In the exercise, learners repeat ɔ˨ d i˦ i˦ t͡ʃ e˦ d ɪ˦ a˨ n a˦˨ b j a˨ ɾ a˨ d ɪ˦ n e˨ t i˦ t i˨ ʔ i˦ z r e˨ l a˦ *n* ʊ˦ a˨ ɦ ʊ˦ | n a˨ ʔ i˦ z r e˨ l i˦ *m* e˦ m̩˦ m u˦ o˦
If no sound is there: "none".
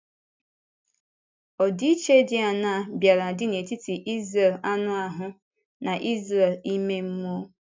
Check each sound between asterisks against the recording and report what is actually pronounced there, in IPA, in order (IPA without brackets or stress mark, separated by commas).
n, m